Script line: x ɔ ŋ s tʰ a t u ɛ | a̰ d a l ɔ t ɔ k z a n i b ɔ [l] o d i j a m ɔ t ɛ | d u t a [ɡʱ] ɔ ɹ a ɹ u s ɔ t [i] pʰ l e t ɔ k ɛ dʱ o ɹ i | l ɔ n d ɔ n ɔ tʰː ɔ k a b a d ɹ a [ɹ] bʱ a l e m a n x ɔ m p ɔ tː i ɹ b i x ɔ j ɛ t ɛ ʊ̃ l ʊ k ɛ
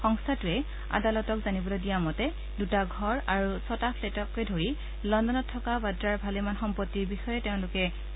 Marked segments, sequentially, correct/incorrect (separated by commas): correct, correct, incorrect, correct